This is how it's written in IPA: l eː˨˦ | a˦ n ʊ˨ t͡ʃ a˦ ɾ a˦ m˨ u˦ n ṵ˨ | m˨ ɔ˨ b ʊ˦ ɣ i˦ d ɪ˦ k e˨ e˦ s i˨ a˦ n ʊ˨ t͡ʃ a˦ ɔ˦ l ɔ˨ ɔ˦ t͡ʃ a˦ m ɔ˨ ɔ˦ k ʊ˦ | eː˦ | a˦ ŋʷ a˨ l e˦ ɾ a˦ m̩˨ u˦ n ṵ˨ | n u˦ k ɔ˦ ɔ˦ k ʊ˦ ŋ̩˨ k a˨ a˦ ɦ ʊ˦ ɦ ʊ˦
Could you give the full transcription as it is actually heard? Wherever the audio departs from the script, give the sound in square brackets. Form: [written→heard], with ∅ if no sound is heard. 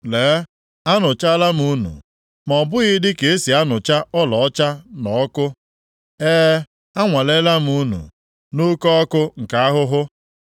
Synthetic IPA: l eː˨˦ | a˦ n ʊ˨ t͡ʃ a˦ [ɾ→l] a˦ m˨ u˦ n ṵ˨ | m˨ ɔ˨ b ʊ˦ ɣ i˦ d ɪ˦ k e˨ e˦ s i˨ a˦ n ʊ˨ t͡ʃ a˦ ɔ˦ l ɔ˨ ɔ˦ t͡ʃ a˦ [m→n] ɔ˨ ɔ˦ k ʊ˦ | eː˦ | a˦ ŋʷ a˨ l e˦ [ɾ→l] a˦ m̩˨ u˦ n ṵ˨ | n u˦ k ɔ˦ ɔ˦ k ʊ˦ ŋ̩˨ k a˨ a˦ ɦ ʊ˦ ɦ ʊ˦